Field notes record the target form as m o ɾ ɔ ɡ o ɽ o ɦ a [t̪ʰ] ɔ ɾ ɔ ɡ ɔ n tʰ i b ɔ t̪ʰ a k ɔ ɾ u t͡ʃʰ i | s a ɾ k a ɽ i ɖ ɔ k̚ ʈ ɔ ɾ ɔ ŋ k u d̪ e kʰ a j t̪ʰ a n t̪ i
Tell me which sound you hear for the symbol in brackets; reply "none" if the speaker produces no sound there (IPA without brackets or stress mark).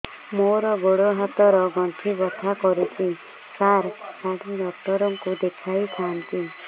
t̪